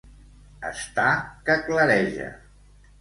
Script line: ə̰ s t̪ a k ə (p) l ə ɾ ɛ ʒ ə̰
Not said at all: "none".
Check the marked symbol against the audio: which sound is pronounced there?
k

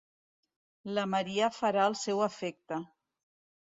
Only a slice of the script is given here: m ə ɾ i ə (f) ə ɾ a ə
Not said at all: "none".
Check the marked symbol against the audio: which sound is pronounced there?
f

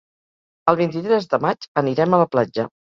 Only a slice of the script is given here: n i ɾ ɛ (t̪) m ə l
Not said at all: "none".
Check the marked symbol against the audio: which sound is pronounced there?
none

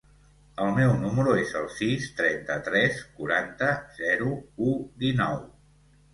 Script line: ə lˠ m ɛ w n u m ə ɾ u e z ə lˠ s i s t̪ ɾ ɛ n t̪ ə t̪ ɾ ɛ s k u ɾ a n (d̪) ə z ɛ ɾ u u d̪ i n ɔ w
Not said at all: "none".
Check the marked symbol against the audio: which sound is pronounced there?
t̪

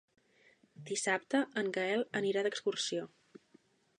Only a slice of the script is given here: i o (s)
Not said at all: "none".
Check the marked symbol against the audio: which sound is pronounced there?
none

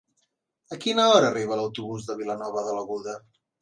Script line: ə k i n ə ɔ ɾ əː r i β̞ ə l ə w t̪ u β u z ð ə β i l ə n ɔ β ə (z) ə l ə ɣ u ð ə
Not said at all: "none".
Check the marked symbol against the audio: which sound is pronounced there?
ð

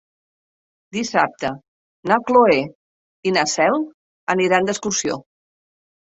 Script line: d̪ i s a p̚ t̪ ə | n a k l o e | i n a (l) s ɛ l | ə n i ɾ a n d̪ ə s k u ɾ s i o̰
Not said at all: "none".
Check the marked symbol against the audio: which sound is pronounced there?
none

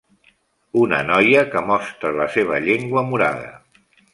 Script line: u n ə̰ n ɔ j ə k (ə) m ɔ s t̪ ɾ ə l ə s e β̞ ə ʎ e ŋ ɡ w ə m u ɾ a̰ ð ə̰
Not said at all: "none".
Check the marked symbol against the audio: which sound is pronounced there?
ə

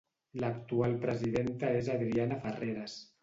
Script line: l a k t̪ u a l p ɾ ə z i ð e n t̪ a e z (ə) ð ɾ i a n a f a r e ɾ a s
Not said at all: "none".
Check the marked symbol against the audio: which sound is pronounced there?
a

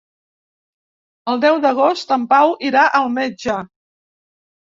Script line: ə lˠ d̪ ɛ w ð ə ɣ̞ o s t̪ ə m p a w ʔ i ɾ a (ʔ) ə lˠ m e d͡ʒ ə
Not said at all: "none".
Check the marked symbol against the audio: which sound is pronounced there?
ʔ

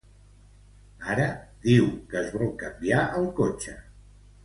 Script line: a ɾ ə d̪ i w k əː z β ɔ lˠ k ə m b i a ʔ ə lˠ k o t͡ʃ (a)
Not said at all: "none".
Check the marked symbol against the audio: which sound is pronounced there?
ə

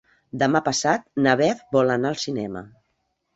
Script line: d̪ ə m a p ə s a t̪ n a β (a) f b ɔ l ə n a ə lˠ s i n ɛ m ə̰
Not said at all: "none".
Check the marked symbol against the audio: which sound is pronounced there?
ɛ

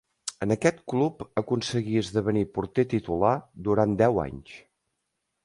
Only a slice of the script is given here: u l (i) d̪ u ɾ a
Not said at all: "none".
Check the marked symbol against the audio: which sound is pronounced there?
a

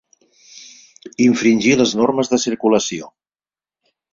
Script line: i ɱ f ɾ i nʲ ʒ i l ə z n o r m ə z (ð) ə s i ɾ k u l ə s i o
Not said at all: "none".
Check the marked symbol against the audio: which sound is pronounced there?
ð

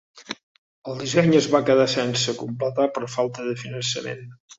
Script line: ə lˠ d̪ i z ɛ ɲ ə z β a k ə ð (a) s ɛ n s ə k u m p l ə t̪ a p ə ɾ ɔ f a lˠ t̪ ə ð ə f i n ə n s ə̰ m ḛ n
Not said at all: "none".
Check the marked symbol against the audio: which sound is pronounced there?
a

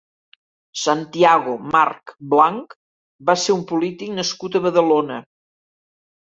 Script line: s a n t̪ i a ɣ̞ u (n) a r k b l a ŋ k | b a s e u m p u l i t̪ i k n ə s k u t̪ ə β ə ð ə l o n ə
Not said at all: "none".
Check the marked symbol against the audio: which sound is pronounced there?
m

